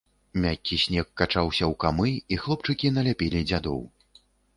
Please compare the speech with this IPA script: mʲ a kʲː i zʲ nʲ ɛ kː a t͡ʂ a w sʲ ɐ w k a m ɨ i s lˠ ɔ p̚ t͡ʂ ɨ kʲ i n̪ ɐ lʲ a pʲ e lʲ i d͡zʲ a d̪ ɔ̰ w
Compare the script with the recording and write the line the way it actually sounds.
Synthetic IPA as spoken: mʲ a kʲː i sʲ nʲ ɛ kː a t͡ʂ a w sʲ ɐ w k a m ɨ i x lˠ ɔ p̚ t͡ʂ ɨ kʲ i n̪ ɐ lʲ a pʲ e lʲ i d͡zʲ a d̪ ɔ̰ w